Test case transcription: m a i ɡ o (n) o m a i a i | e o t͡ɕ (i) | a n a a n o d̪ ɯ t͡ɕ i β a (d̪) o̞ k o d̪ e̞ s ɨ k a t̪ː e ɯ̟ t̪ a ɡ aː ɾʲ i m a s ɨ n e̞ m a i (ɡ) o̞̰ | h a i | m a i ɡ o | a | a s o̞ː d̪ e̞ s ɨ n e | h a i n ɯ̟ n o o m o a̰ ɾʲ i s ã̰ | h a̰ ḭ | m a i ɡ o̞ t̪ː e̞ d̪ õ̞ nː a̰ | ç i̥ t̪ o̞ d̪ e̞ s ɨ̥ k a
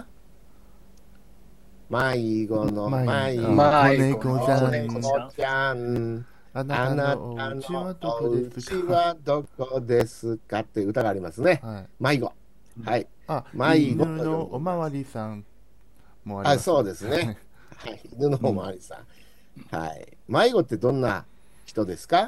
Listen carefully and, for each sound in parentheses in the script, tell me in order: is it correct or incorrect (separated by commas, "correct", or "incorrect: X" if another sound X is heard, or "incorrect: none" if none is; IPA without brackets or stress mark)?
correct, incorrect: a, correct, correct